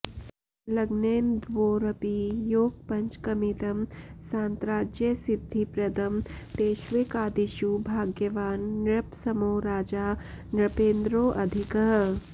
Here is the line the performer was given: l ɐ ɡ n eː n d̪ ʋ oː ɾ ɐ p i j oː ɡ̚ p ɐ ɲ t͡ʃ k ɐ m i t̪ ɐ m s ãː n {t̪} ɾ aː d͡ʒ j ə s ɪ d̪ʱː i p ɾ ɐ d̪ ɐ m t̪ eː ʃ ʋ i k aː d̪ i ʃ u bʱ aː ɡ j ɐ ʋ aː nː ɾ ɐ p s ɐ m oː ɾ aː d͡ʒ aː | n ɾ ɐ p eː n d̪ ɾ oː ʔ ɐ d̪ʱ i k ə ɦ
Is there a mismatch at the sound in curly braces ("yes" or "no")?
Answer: no